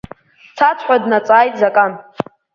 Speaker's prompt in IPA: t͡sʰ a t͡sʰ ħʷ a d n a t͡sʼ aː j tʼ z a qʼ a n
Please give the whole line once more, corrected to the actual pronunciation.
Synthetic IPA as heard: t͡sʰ a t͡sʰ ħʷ a d n a t͡sʼ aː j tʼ z a kʼ a n